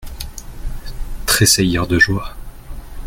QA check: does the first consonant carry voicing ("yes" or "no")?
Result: no